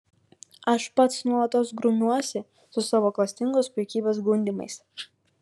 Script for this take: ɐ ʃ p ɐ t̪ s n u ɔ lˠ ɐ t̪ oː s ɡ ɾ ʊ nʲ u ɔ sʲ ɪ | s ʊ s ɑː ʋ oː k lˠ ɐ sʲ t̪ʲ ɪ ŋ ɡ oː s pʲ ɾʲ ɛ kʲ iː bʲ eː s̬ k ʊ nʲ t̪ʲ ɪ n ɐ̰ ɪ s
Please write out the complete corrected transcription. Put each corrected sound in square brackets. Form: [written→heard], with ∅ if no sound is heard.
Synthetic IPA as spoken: ɐ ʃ p ɐ t̪ s n u ɔ lˠ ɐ t̪ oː s ɡ ɾ ʊ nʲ u ɔ sʲ ɪ | s ʊ s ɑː ʋ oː k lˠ ɐ sʲ t̪ʲ ɪ ŋ ɡ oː s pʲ ɾʲ ɛ kʲ iː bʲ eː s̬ [k→ɡ] ʊ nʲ [t̪ʲ→d̪ʲ] ɪ [n→m] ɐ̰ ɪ s